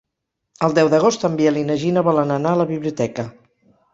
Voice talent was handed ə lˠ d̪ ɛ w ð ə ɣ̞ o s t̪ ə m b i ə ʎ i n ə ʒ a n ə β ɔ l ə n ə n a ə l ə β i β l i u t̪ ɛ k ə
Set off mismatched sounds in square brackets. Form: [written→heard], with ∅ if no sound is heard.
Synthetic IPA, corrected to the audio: ə lˠ d̪ ɛ w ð ə ɣ̞ o s t̪ ə m b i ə [ʎ→l] i n ə ʒ [a→i] n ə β ɔ l ə n ə n a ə l ə β i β l i u t̪ ɛ k ə

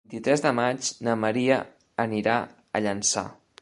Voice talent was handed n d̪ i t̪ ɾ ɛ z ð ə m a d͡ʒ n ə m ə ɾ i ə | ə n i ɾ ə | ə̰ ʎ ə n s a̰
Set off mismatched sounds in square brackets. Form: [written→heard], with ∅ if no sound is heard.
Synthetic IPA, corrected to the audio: n [d̪→t̪] i t̪ ɾ ɛ z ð ə m a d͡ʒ n ə m ə ɾ i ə | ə n i ɾ [ə→a] | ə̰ ʎ ə n s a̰

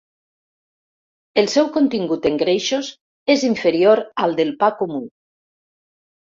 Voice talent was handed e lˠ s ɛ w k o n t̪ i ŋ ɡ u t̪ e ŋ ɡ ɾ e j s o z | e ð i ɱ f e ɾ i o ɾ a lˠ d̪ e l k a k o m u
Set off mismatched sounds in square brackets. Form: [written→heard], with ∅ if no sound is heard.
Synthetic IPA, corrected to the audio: e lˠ s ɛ w k o n t̪ i ŋ ɡ u t̪ e ŋ ɡ ɾ e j [s→ʃ] o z | e [ð→z] i ɱ f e ɾ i o ɾ a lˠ d̪ e l [k→p] a k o m u

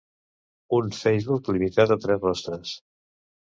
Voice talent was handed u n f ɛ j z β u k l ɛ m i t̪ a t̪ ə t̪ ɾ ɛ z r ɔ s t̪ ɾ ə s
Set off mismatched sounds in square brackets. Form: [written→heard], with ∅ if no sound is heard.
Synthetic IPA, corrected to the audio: u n f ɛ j z β u k l [ɛ→i] m i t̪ a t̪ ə t̪ ɾ ɛ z r ɔ s t̪ ɾ ə s

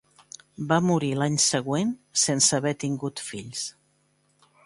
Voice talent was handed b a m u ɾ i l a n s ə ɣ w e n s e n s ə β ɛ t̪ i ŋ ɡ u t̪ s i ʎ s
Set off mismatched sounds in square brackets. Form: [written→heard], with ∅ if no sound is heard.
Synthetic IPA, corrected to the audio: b a m u ɾ i l a [n→ɲ] s ə ɣ w e n s e n s ə β ɛ t̪ i ŋ ɡ u t̪ [s→f] i ʎ s

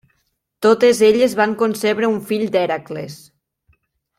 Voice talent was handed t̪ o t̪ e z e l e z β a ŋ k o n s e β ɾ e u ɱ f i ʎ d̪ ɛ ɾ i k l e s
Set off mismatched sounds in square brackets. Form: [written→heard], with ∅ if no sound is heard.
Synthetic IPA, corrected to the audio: t̪ o t̪ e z e [l→ʎ] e z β a ŋ k o n s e β ɾ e u ɱ f i ʎ d̪ ɛ ɾ [i→a] k l e s

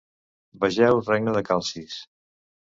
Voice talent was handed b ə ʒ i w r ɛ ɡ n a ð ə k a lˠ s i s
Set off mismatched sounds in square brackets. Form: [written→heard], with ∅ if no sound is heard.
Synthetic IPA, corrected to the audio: b ə ʒ [i→ɛ] w r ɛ ɡ n [a→ə] ð ə k a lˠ s i s

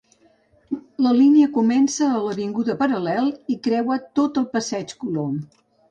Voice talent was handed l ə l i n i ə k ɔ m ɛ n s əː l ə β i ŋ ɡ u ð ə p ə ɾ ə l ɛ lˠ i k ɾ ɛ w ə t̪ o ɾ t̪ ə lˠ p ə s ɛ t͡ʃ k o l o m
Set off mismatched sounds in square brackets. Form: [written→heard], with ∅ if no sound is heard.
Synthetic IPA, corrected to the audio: l ə l i n i ə k [ɔ→u] m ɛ n s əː l ə β i ŋ ɡ u ð ə p ə ɾ ə l ɛ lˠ i k ɾ ɛ w ə t̪ o [ɾ→∅] t̪ ə lˠ p ə s ɛ t͡ʃ k [o→u] l o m

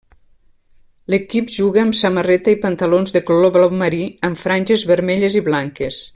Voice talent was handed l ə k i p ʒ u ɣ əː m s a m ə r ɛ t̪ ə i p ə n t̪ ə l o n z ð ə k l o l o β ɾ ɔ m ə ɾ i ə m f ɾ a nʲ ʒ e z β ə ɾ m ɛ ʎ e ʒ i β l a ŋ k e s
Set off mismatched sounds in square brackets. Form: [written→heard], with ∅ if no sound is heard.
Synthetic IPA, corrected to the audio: l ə k i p ʒ u ɣ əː m s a m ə r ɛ t̪ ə i p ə n t̪ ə l o n z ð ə k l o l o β [ɾ→l] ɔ m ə ɾ i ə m f ɾ a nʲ ʒ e z β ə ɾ m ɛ ʎ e [ʒ→z] i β l a ŋ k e s

